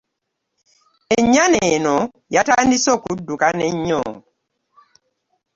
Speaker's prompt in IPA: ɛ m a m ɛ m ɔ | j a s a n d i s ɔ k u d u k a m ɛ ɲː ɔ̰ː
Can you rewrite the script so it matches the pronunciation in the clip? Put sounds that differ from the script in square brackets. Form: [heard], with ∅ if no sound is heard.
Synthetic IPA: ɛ [ɲ] a [n] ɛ [n] ɔ | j a [t] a n d i s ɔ k u d u k a [n] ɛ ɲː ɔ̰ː

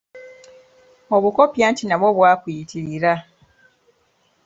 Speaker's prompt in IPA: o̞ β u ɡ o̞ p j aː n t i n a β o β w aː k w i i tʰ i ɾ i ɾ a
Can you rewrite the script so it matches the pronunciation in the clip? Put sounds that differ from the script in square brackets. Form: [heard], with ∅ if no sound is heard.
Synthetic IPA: o̞ β u [k] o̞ p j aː n t i n a β o β w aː k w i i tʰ i ɾ i ɾ a

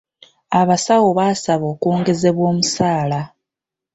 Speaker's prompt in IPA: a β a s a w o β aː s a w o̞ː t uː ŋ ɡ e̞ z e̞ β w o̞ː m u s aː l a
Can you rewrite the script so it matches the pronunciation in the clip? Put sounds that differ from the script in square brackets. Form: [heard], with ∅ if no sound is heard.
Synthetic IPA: a β a s a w o β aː s a [β] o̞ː [k] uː ŋ ɡ e̞ z e̞ β w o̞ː m u s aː l a

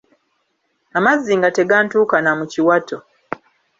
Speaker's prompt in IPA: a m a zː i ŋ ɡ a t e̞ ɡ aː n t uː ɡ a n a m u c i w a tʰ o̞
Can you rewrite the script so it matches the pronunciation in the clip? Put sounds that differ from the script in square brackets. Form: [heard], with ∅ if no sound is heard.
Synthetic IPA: a m a zː i ŋ ɡ a t e̞ ɡ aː n t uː [k] a n a m u c i w a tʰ o̞

